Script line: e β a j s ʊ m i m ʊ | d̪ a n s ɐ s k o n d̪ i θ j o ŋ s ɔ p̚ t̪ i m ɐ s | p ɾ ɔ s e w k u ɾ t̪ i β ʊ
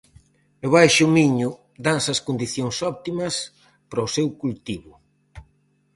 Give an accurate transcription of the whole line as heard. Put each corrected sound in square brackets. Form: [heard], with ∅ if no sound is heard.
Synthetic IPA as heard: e β a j [ʃ] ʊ m i [ɲ] ʊ | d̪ a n s ɐ s k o n d̪ i θ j o ŋ s ɔ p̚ t̪ i m ɐ s | p ɾ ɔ s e w k u [l] t̪ i β ʊ